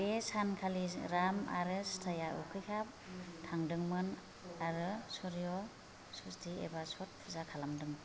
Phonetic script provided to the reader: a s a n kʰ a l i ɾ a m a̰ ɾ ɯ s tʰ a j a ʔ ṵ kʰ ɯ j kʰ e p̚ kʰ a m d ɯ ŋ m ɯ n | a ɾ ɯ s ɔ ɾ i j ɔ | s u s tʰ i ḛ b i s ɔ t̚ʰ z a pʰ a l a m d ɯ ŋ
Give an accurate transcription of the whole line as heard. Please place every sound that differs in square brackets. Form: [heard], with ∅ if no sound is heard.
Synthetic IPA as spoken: [e] s a n kʰ a l i ɾ a m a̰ ɾ ɯ s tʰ a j a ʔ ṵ kʰ ɯ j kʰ [a] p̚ [tʰ] a [ŋ] d ɯ ŋ m ɯ n | a ɾ ɯ s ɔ ɾ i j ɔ | s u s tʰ i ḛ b [a] s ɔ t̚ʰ z a [kʰ] a l a m d ɯ ŋ